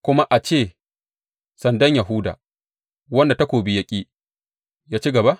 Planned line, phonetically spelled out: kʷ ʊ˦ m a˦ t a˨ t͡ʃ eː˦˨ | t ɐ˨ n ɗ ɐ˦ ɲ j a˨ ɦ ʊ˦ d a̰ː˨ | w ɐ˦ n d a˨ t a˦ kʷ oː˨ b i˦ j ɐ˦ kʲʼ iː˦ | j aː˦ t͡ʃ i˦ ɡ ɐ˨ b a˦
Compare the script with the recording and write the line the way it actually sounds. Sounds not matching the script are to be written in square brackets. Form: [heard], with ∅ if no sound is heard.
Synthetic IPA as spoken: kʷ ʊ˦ m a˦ [ʔ] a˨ t͡ʃ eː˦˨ | [s] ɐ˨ n [d] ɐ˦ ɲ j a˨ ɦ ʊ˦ d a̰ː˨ | w ɐ˦ n d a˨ t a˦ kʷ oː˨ b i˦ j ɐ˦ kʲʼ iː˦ | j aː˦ t͡ʃ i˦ ɡ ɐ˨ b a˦

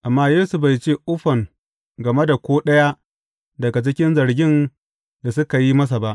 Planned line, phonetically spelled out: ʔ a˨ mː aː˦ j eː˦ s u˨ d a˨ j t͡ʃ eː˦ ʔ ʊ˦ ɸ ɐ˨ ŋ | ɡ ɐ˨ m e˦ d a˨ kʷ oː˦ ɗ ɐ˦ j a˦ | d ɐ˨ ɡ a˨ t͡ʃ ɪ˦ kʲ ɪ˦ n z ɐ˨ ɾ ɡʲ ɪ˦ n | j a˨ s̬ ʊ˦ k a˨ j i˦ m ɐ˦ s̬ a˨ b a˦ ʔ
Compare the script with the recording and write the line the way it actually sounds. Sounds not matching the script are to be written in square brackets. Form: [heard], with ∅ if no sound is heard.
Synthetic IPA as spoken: ʔ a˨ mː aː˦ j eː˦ s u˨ [b] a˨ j t͡ʃ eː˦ ʔ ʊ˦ ɸ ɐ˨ ŋ | ɡ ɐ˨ m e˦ d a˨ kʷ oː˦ ɗ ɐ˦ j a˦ | d ɐ˨ ɡ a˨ t͡ʃ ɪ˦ kʲ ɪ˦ n z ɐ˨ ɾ ɡʲ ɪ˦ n | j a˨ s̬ ʊ˦ k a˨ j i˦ m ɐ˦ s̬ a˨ b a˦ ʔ

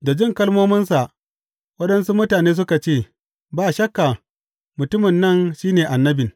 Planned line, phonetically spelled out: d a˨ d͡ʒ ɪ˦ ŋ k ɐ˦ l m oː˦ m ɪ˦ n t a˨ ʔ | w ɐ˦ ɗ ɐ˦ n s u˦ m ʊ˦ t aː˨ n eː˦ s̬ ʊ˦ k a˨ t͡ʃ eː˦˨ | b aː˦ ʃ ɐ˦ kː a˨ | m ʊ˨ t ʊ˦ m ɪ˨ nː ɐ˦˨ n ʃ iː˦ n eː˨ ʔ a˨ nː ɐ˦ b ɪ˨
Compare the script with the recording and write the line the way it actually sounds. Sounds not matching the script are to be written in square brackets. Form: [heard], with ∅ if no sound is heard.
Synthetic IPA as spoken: d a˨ d͡ʒ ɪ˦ ŋ k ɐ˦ l m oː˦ m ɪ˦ n [s] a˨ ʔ | w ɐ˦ ɗ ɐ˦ n s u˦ m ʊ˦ t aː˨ n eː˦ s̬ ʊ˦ k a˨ t͡ʃ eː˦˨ | b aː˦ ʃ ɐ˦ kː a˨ | m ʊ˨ t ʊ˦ m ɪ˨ nː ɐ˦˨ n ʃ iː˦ n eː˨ ʔ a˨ nː ɐ˦ b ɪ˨

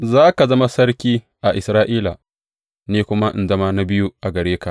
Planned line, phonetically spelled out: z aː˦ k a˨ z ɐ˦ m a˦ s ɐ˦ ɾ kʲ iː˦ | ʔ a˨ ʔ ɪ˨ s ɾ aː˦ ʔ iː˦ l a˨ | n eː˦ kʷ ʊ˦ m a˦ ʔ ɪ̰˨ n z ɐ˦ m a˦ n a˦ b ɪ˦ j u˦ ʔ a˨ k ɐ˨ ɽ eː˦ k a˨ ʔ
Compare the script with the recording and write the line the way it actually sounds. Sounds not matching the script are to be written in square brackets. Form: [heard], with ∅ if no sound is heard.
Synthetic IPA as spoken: z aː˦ k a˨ z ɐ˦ m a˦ s ɐ˦ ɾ kʲ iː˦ | ʔ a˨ ʔ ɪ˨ s ɾ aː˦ ʔ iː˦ l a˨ | n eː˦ kʷ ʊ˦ m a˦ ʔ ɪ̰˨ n z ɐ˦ m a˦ n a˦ b ɪ˦ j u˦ ʔ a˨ [ɡ] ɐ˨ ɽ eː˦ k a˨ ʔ

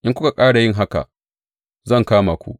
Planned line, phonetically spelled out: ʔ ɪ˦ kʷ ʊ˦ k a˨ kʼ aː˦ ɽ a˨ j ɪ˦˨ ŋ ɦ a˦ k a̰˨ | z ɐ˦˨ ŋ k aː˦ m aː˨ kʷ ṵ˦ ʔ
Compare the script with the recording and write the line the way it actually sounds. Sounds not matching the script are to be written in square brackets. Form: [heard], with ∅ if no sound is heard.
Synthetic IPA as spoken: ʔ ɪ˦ kʷ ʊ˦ k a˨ kʼ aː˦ ɽ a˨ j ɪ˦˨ ŋ ɦ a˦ k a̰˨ | z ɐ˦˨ ŋ k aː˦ m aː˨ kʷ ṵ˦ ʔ

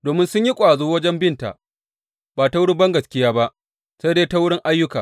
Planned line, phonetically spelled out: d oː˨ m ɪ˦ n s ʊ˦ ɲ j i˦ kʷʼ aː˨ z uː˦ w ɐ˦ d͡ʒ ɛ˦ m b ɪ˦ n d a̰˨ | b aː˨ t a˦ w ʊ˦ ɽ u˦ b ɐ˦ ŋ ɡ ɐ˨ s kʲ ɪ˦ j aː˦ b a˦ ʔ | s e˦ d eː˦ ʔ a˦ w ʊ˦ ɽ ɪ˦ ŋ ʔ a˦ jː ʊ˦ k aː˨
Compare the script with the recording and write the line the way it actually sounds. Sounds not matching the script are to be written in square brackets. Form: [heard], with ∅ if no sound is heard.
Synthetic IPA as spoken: d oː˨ m ɪ˦ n s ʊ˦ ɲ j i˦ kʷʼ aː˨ z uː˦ w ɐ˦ d͡ʒ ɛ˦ m b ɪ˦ n [t] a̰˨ | b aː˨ t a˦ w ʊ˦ ɽ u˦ b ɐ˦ ŋ ɡ ɐ˨ s kʲ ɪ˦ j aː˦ b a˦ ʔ | s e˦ d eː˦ [t] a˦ w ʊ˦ ɽ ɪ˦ ŋ ʔ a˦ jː ʊ˦ k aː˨

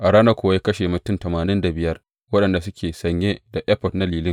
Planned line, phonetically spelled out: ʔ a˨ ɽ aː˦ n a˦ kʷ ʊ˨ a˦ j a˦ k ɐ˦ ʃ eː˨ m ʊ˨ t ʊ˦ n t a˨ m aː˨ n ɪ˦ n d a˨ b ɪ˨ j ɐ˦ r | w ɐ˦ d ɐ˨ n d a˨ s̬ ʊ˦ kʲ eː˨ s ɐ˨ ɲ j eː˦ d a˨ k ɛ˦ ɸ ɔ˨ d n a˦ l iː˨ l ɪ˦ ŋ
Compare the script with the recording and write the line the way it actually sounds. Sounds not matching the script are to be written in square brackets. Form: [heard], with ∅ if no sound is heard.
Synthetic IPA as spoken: ʔ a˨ ɽ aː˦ n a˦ kʷ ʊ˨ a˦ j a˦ k ɐ˦ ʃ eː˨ m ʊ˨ t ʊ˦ n t [ɐ˨] m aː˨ n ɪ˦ n d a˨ b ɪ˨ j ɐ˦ r | w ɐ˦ [ɗ] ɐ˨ n d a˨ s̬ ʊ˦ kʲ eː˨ s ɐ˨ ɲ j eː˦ d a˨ [ʔ] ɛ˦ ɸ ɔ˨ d n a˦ l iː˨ l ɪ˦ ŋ

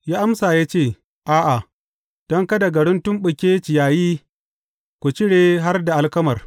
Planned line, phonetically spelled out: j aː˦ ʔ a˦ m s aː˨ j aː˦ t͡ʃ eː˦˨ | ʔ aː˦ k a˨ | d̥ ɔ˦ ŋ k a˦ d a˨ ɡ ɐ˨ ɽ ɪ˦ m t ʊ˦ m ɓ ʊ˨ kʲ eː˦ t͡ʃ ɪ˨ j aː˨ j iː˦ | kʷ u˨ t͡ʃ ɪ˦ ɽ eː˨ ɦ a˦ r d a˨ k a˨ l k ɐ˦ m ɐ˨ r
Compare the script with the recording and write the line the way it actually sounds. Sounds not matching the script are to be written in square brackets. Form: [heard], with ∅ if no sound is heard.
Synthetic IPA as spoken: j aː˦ ʔ a˦ m s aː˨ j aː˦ t͡ʃ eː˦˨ | ʔ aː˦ [ʔ] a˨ | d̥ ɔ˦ ŋ k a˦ d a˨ ɡ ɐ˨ ɽ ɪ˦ [n] t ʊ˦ m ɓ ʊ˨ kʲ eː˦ t͡ʃ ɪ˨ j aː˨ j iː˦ | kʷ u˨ t͡ʃ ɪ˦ ɽ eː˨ ɦ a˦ r d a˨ [ʔ] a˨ l k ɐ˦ m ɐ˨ r

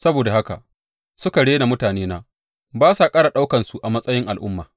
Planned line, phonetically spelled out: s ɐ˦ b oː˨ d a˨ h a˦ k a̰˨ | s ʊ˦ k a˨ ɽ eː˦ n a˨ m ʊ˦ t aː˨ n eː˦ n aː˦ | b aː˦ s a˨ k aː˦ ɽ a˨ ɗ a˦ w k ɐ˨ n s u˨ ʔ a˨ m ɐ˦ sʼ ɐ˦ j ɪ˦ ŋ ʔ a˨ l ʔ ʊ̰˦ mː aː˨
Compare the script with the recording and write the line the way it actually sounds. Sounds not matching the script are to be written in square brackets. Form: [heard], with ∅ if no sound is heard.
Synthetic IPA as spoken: s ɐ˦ b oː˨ d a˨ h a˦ k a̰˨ | s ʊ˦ k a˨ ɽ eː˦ n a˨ m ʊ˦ t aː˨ n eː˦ n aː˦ | b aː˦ s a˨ [kʼ] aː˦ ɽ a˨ ɗ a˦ w k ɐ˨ n s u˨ ʔ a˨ m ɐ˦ sʼ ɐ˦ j ɪ˦ ŋ ʔ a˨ l ʔ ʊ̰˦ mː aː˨

